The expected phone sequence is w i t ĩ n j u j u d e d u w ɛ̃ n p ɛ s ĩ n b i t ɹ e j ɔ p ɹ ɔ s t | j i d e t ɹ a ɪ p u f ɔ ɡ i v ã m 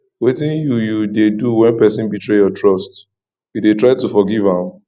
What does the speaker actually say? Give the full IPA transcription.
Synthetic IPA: w e t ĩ n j u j u d e d u w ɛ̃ n p ɛ s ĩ n b i t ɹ e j ɔ t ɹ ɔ s t | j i d e t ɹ a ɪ t u f ɔ ɡ i v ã m